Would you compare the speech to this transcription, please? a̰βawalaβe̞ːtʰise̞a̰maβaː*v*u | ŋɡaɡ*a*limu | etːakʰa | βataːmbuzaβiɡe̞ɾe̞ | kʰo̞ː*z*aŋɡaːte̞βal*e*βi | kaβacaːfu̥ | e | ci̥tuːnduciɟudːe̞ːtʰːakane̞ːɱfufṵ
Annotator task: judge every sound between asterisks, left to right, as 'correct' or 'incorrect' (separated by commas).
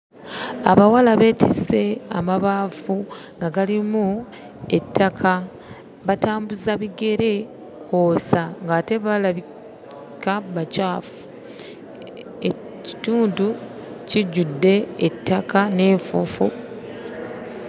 incorrect, correct, incorrect, incorrect